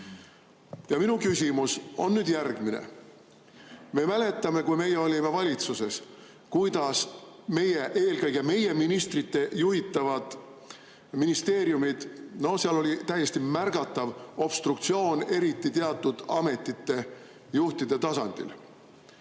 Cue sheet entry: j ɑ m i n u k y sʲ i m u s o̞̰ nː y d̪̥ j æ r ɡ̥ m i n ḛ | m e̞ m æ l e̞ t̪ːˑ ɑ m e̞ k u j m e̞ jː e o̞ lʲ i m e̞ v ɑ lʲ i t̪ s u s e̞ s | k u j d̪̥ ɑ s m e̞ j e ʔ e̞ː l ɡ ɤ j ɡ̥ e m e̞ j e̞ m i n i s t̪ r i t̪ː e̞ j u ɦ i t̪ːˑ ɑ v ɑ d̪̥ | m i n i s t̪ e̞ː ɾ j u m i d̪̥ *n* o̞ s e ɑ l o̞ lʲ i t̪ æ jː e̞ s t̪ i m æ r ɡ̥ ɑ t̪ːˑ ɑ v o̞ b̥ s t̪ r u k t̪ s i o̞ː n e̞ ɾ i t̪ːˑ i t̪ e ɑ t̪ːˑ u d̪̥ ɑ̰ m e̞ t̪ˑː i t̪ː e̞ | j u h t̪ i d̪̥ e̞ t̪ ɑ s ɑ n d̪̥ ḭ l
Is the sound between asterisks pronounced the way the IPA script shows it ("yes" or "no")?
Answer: yes